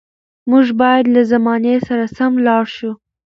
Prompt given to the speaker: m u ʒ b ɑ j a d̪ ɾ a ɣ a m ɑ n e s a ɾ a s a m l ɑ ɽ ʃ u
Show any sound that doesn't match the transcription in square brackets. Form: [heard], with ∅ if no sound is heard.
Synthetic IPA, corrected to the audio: m u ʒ b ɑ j a d̪ [l] a [z] a m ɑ n e s a ɾ a s a m l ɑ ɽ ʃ u